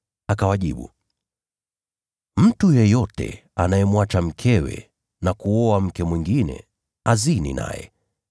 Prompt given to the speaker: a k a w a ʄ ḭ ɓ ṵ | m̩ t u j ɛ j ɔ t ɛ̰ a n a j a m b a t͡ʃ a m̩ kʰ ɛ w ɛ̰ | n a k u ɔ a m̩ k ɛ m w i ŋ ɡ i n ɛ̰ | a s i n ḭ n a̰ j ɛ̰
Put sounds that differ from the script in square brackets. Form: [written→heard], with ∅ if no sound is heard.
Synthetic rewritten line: a k a w a ʄ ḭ ɓ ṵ | m̩ t u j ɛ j ɔ t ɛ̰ a n a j [a→ɛ] m [b→w] a t͡ʃ a m̩ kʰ ɛ w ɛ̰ | n a k u ɔ a m̩ k ɛ m w i ŋ ɡ i n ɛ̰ | a [s→z] i n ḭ n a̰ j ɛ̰